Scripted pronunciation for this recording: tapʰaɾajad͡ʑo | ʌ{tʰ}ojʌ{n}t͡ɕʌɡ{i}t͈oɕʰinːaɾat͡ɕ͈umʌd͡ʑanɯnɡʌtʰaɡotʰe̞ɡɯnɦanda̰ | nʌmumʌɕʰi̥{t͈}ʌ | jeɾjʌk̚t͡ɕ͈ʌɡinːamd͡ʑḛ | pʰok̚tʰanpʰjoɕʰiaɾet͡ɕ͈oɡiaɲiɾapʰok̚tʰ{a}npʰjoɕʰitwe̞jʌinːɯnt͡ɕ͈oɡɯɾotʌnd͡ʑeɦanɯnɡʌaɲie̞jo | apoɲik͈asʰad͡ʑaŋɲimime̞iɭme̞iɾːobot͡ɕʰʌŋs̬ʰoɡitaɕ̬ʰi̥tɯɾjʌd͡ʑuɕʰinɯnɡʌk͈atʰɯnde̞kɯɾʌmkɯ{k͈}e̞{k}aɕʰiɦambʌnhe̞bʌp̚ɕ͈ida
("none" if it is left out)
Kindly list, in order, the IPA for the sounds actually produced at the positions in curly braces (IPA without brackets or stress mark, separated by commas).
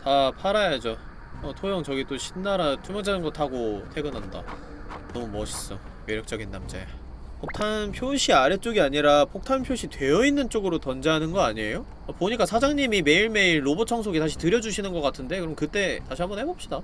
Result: tʰ, ŋ, i, s͈, a, t͈, t